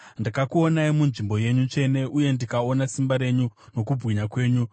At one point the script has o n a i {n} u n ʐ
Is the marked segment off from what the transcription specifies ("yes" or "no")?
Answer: yes